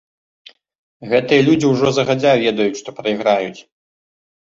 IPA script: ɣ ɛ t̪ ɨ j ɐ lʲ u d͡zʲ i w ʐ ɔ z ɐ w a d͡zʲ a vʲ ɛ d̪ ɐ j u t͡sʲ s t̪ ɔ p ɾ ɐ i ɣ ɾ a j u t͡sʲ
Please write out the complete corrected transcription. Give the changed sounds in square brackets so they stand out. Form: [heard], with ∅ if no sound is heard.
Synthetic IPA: ɣ ɛ t̪ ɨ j ɐ lʲ u d͡zʲ i w ʐ ɔ z ɐ [ɣ] a d͡zʲ a vʲ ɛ d̪ ɐ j u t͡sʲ [ʂ] t̪ ɔ p ɾ ɐ i ɣ ɾ a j u t͡sʲ